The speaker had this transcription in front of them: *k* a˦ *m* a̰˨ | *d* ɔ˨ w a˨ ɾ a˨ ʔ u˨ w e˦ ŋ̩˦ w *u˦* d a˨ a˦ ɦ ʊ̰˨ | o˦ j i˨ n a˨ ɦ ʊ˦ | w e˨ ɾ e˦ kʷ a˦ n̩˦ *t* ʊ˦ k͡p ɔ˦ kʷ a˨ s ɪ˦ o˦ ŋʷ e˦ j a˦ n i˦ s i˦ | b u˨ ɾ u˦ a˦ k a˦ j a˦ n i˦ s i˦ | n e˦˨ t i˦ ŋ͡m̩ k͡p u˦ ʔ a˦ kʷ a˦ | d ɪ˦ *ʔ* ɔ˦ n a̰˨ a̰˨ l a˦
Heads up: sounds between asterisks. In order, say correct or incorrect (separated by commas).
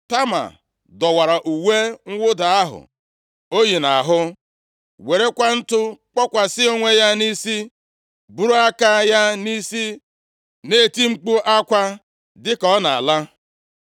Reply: incorrect, correct, correct, incorrect, correct, incorrect